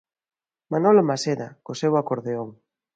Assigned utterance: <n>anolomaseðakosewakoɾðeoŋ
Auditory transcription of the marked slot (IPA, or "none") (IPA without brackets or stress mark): m